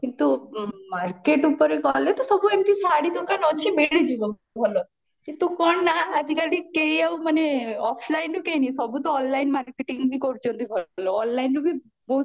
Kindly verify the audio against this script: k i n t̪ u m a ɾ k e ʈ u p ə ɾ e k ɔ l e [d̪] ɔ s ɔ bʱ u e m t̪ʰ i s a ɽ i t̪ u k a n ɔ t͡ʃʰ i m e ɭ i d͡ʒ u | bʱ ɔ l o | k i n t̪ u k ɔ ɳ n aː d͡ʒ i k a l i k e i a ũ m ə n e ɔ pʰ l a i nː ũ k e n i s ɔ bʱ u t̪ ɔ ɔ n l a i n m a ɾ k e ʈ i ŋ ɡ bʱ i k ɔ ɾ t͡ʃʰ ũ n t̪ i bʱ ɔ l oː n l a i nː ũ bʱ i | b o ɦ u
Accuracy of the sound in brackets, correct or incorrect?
incorrect